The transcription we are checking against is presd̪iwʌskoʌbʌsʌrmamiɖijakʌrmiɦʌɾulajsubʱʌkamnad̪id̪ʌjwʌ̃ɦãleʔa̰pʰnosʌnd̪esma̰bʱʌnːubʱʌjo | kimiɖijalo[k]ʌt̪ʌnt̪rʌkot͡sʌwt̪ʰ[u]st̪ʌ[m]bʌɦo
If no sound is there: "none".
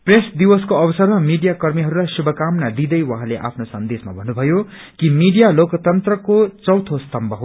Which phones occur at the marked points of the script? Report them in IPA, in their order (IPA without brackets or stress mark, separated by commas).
k, o, m